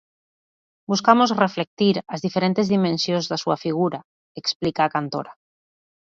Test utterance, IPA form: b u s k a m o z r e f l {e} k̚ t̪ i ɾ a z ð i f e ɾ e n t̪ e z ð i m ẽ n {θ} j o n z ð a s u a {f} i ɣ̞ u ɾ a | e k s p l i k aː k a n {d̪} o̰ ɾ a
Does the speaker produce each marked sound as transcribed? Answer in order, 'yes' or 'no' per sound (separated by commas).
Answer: yes, no, yes, no